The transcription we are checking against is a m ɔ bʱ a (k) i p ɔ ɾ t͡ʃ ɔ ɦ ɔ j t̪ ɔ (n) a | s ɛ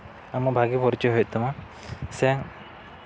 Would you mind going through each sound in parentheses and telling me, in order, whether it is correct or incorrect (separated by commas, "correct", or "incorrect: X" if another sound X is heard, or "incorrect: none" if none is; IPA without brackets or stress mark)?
incorrect: ɡ, incorrect: m